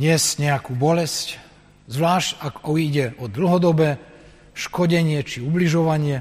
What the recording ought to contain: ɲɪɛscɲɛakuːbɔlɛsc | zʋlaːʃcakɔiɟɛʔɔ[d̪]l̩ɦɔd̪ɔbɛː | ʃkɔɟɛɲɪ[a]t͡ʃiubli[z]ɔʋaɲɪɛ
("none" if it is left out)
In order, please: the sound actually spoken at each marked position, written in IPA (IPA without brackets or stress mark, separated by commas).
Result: d̪, ɛ, ʒ